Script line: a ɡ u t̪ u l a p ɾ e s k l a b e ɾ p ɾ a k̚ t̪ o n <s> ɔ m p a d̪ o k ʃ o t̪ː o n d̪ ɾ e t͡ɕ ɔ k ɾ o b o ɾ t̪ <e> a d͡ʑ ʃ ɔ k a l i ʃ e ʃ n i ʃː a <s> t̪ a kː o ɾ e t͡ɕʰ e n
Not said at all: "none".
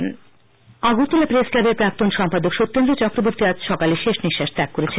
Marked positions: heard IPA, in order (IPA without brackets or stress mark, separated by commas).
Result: ʃ, i, ʃ